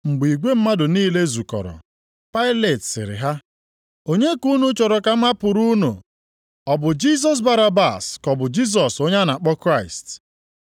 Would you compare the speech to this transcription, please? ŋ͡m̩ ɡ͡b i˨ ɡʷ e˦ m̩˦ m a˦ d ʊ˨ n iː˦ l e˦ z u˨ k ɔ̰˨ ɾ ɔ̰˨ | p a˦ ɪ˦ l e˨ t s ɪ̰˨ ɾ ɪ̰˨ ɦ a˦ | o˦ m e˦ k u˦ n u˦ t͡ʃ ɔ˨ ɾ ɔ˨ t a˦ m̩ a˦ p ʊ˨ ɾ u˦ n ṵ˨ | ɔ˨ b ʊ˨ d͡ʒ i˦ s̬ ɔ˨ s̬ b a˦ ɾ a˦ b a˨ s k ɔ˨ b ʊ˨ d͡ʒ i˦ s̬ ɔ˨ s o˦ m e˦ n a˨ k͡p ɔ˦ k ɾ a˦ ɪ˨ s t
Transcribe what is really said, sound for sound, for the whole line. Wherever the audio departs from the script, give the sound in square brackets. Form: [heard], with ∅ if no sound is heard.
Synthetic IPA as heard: ŋ͡m̩ ɡ͡b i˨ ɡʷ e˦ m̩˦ m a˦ d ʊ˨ n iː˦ l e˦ z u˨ k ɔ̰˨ ɾ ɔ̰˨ | p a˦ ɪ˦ l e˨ t s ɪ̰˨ ɾ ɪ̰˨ ɦ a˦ | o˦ [ɲ] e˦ k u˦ n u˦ t͡ʃ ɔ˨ ɾ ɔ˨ [k] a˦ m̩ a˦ p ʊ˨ ɾ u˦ n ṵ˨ | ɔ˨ b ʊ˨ d͡ʒ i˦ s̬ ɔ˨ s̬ b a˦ ɾ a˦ b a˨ s k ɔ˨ b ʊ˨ d͡ʒ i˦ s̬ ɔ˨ s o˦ [ɲ] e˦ n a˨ k͡p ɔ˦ k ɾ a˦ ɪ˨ s t

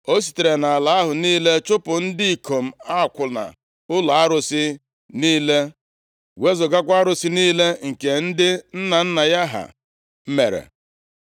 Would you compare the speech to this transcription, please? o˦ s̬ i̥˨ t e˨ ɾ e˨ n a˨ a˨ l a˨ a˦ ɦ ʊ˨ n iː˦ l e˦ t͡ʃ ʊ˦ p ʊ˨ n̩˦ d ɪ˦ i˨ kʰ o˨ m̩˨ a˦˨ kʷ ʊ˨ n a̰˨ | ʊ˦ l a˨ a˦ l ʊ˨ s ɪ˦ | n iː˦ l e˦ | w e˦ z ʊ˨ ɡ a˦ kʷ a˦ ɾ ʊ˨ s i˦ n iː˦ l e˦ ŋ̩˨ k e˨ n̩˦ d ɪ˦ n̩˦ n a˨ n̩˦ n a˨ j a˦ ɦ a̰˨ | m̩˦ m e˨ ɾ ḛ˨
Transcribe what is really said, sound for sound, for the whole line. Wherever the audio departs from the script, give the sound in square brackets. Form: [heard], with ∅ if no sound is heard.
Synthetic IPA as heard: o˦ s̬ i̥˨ t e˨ ɾ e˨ n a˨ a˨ l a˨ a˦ ɦ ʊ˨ n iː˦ l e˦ t͡ʃ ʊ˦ p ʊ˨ n̩˦ d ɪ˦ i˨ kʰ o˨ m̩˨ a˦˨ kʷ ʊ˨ n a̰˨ | ʊ˦ l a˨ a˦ [ɾ] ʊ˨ s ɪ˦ | n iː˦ l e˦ | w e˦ z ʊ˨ ɡ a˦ kʷ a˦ ɾ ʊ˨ s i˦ n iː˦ l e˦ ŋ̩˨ k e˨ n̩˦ d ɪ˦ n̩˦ n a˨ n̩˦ n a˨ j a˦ ɦ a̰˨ | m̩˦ m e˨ ɾ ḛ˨

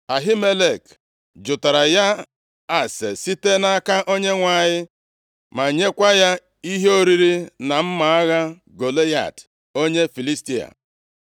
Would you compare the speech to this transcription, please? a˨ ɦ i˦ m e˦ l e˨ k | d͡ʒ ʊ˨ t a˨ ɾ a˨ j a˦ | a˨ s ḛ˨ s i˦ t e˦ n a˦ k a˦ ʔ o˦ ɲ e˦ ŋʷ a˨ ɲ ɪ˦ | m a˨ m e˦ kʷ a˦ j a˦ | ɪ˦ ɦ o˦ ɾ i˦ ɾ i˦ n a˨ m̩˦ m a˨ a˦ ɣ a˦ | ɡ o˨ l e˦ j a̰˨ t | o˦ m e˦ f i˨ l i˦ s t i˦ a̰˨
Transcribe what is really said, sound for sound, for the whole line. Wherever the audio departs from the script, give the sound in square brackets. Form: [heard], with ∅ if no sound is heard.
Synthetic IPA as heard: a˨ ɦ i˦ m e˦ l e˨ k | d͡ʒ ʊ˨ t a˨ ɾ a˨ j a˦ | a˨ s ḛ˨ s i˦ t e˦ n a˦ k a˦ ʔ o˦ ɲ e˦ ŋʷ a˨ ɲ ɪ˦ | m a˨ [ɲ] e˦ kʷ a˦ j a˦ | [i˦] ɦ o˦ ɾ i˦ ɾ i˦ n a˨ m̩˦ m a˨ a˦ ɣ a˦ | ɡ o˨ l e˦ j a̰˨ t | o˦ [ɲ] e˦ f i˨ l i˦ s t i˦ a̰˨

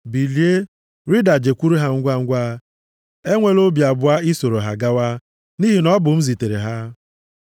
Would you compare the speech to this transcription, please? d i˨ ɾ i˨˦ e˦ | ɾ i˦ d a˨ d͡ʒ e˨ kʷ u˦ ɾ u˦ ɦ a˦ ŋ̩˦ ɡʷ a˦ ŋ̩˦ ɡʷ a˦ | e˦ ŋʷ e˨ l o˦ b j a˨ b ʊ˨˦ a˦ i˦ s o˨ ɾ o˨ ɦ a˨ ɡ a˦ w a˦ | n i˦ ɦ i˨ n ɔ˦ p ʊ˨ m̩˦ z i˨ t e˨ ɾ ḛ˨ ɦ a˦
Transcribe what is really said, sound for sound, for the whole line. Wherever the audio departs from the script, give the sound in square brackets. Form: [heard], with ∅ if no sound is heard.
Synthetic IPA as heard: [b] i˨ [l] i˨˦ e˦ | ɾ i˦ d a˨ d͡ʒ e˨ kʷ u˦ ɾ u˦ ɦ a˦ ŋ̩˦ ɡʷ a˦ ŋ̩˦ ɡʷ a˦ | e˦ ŋʷ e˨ l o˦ b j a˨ b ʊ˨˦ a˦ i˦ s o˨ ɾ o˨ ɦ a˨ ɡ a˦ w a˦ | n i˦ ɦ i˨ n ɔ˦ [b] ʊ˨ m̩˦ z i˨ t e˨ ɾ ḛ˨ ɦ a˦

